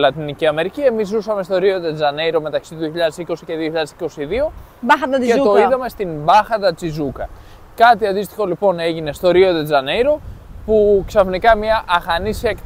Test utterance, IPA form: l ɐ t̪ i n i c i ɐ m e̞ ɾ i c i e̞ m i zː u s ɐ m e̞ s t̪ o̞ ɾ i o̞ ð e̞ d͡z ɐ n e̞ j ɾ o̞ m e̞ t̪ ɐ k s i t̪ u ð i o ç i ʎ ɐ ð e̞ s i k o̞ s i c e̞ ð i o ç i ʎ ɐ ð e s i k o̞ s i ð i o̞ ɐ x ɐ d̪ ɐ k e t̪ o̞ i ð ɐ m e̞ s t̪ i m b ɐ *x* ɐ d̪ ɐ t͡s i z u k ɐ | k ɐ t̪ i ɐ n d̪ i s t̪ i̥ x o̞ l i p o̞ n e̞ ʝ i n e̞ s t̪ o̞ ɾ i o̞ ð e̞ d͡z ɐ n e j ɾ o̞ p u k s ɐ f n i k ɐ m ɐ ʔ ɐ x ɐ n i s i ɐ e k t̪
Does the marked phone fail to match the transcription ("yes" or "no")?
no